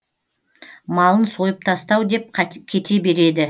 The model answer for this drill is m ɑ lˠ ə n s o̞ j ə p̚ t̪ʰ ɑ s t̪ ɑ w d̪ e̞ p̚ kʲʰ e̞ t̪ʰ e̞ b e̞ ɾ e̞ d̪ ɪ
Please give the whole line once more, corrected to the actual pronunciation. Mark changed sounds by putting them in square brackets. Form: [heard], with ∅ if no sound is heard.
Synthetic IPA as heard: m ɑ lˠ ə n s o̞ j ə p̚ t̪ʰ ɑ s t̪ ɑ w d̪ e̞ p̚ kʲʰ e̞ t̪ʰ e̞ b e̞ ɾ e̞ d̪ ɪ